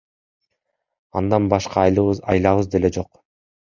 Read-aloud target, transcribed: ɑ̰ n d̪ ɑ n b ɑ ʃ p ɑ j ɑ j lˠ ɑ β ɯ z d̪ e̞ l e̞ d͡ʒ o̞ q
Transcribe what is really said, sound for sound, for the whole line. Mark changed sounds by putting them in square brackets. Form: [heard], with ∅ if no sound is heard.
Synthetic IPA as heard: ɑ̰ n d̪ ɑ n b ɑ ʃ [q] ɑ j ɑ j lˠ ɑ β ɯ z d̪ e̞ l e̞ d͡ʒ o̞ q